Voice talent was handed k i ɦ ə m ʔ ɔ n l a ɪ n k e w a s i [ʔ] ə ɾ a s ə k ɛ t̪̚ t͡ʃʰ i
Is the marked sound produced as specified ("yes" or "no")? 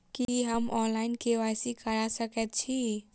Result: no